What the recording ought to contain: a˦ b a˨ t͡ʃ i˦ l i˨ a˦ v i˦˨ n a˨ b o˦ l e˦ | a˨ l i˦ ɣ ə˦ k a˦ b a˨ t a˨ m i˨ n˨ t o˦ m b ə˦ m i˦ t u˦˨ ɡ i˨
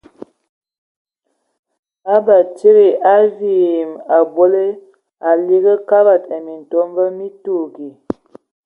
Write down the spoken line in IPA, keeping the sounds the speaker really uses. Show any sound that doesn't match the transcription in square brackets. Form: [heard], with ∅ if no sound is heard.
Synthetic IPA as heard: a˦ b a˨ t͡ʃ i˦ [ɾ] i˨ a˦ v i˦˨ [m] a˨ b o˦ l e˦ | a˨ l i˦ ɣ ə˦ k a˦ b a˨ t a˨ m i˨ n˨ t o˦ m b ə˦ m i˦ t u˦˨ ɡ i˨